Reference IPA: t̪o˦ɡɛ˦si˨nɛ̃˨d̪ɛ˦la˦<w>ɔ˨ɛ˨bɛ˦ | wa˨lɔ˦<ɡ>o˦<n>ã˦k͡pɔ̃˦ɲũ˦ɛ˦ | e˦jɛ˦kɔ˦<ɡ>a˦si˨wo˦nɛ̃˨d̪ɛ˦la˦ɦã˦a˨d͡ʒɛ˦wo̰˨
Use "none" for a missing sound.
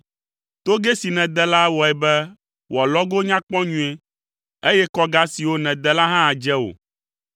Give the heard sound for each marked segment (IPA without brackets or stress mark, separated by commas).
w, ɡ, ɲ, ɡ